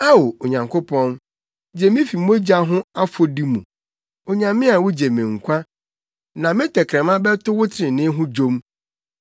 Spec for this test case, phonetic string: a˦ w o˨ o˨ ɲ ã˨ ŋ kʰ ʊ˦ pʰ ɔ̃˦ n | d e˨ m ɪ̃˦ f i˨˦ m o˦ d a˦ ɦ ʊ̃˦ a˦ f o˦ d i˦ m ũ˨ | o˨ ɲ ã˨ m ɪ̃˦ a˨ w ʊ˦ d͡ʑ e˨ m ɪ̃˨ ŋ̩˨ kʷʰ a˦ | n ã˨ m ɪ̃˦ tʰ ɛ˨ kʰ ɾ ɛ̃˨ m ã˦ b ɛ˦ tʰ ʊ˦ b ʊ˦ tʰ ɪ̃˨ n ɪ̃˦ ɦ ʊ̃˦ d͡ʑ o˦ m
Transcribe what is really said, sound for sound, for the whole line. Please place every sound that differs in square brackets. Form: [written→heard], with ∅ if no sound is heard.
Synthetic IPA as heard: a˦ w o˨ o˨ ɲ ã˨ ŋ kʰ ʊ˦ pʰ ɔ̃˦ n | [d→d͡ʑ] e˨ m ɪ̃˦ f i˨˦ m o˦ [d→d͡ʑ] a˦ ɦ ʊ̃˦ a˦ f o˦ d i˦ m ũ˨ | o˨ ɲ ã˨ m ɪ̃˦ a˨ w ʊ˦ d͡ʑ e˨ m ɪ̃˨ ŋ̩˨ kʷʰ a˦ | n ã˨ m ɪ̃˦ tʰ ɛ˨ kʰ ɾ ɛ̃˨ m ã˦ b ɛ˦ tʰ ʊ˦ [b→w] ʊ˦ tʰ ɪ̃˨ n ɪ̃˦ ɦ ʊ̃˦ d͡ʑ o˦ m

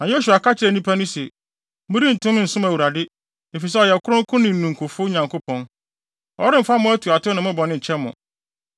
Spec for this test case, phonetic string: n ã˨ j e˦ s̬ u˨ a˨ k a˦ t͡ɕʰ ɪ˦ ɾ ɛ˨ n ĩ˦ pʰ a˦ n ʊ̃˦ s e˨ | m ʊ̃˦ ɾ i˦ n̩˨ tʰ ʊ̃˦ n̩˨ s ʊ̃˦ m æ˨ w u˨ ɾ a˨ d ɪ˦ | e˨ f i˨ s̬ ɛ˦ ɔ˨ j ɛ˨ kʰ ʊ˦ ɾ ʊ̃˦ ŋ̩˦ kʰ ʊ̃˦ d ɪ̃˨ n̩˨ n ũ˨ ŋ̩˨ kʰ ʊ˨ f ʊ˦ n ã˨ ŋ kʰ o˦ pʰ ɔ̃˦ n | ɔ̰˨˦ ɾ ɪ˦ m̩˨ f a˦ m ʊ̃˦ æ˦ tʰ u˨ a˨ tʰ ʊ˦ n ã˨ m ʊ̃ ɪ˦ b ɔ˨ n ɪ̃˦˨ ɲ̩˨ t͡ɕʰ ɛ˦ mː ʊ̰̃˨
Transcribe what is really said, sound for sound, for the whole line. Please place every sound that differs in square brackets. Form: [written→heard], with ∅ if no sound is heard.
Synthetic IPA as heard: n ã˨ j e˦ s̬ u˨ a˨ k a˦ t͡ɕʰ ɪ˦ ɾ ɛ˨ n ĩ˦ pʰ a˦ n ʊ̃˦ s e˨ | m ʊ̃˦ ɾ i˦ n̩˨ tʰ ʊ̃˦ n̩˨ s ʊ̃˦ m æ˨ w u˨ ɾ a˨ d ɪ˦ | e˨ f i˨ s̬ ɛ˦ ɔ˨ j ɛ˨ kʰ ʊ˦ ɾ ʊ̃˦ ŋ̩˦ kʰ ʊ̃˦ [d→n] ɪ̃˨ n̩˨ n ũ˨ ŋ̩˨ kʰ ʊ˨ f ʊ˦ [n→ɲ] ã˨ ŋ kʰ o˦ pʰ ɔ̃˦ n | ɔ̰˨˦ ɾ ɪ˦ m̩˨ f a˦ m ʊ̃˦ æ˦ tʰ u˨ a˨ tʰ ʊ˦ n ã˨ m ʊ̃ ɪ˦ b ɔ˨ n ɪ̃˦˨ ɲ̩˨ t͡ɕʰ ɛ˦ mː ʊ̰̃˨

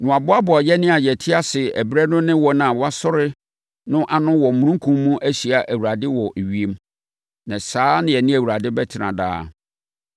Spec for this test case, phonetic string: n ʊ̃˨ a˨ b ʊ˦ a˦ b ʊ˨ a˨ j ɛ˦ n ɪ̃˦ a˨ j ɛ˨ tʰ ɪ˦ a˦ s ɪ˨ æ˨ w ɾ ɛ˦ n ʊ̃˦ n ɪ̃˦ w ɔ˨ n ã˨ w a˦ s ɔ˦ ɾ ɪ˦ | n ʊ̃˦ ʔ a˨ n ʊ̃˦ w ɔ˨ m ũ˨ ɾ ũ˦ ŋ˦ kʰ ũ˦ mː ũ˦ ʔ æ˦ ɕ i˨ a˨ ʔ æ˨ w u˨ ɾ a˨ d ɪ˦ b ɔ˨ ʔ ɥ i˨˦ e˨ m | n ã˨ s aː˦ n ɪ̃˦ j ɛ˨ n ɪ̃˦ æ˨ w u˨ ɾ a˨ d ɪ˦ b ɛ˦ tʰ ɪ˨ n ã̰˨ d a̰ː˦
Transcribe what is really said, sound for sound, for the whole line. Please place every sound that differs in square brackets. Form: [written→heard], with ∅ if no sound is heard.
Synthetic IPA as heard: n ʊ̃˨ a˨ b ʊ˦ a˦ b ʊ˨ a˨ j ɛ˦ n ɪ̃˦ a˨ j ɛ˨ tʰ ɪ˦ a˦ s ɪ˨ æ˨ [w→b] ɾ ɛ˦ n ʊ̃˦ n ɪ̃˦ w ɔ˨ n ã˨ w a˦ s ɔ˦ ɾ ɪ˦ | n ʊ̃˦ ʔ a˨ n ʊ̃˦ w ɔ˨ m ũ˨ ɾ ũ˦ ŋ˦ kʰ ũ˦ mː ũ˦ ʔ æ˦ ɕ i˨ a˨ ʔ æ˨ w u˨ ɾ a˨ d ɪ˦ [b→w] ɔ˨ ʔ ɥ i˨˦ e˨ m | n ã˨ s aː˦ n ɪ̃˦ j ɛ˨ n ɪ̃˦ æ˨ w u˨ ɾ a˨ d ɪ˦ b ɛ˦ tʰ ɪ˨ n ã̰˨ d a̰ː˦

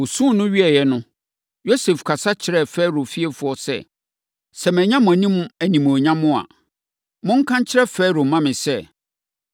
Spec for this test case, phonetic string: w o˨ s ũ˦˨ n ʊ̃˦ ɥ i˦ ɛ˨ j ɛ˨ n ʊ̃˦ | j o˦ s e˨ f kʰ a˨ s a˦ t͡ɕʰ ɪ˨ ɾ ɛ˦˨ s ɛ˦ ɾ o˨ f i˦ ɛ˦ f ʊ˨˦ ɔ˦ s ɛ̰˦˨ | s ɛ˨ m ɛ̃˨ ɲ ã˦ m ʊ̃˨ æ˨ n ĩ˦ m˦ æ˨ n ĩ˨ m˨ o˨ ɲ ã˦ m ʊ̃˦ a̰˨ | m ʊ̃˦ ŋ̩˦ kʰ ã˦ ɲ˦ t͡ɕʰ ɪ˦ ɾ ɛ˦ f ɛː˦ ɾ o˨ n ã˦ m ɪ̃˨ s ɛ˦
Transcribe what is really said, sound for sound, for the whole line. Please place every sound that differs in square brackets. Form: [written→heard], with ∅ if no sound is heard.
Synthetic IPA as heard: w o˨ s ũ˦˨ n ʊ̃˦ ɥ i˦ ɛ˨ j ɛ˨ n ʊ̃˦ | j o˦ s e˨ f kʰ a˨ s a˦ t͡ɕʰ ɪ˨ ɾ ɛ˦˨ [s→f] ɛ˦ ɾ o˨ f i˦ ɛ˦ f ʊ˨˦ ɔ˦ s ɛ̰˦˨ | s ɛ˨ m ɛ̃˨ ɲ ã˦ m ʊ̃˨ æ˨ n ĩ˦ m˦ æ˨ n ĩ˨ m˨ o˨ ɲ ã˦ m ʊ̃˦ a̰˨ | m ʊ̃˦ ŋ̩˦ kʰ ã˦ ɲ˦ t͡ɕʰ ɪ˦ ɾ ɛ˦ f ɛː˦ ɾ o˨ [n→m] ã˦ m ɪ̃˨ s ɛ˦

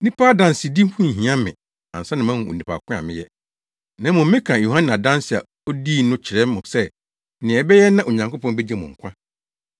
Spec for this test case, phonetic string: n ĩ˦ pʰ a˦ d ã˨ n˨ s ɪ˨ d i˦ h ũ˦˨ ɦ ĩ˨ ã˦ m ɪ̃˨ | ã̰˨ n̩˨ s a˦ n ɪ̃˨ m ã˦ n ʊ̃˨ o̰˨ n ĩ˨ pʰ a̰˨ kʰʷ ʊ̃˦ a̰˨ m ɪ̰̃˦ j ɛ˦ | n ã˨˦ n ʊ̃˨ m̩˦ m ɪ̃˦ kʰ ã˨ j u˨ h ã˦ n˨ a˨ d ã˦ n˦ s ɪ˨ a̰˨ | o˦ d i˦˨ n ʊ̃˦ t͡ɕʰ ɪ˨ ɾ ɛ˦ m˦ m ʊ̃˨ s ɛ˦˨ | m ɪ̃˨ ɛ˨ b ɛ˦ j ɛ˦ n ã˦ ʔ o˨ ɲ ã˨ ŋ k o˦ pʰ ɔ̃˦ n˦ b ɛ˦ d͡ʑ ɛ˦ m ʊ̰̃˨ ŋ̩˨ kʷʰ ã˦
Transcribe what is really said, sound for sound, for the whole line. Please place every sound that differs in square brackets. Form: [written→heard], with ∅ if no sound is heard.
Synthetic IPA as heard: n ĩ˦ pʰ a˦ d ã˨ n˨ s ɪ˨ d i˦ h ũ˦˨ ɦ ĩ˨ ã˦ m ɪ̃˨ | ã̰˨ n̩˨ s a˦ n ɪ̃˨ m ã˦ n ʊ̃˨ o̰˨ n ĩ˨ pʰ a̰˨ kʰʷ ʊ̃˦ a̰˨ m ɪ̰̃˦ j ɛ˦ | n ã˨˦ [n→m] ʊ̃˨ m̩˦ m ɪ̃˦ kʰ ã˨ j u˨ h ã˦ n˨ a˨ d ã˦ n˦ s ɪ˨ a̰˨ | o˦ d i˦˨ n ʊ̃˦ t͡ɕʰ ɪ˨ ɾ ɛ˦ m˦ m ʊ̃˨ s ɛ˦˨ | [m→n] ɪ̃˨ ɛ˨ b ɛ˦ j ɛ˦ n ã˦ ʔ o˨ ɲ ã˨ ŋ k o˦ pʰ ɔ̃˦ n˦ b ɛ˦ d͡ʑ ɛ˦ m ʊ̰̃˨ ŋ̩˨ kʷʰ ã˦

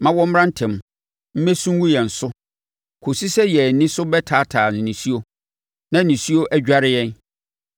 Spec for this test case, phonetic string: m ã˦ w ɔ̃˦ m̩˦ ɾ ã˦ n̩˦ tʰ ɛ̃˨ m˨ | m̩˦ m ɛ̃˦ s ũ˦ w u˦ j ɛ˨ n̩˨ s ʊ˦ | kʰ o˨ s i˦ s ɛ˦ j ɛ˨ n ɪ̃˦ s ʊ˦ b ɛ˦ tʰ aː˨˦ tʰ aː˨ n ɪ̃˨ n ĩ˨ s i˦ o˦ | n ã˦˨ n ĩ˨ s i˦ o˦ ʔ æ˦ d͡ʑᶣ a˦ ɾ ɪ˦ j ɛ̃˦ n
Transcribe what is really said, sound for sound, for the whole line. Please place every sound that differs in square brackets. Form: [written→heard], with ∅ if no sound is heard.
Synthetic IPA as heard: m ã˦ w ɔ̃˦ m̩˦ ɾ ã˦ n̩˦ tʰ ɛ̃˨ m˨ | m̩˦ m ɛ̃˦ s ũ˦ w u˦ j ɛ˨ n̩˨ s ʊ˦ | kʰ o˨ s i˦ s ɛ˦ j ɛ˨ n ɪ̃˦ s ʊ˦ b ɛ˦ tʰ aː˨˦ tʰ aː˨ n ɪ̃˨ n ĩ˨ s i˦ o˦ | n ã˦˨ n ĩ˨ s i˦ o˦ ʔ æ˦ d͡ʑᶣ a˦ ɾ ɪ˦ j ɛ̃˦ n

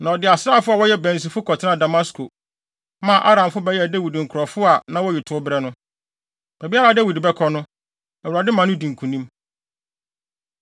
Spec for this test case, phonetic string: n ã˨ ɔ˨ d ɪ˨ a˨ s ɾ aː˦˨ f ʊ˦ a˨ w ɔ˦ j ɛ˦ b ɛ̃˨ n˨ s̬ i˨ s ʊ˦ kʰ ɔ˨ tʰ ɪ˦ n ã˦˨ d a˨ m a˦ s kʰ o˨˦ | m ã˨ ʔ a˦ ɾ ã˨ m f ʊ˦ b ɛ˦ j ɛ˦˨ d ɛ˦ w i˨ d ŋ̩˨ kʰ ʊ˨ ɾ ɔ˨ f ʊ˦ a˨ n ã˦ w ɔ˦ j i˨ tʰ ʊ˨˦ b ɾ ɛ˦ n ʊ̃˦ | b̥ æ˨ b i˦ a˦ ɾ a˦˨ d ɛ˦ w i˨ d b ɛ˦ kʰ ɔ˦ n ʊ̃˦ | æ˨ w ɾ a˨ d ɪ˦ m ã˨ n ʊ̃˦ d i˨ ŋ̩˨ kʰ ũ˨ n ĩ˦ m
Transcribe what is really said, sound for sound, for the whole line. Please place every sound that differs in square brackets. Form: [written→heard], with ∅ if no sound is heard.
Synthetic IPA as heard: n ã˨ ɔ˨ d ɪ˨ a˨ s ɾ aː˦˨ f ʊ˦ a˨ w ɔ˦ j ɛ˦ b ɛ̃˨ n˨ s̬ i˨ [s→f] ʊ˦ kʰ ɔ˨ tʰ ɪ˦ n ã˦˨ d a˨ m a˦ s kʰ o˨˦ | m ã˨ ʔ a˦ ɾ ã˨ m f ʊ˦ b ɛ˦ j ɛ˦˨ d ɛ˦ w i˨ d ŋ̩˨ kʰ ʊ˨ ɾ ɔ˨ f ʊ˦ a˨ n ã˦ w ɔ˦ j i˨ tʰ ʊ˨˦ b ɾ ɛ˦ n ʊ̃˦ | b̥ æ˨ b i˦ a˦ ɾ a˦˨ d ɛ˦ w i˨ d b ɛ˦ kʰ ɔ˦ n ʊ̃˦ | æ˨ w ɾ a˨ d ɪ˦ m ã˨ n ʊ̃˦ d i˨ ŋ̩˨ kʰ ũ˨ n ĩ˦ m

